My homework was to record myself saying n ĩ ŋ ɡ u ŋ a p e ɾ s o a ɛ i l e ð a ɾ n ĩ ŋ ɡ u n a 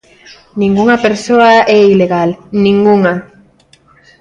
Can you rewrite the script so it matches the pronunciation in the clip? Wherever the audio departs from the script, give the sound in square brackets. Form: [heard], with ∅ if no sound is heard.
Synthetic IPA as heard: n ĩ ŋ ɡ u ŋ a p e ɾ s o a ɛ i l e [ɣ] a [l] n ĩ ŋ ɡ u [ŋ] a